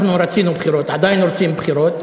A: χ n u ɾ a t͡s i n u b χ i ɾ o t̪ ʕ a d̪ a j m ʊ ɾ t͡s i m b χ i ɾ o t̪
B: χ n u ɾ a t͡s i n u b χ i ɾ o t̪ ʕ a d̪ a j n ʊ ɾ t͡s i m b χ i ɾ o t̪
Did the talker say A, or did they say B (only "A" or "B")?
B